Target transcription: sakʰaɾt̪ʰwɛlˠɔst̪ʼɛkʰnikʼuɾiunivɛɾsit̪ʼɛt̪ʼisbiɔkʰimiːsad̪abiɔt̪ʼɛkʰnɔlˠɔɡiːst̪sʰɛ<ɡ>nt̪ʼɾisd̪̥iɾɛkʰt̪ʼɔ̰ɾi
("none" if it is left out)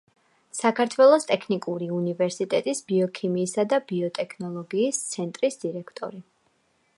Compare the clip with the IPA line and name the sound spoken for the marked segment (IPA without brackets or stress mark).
none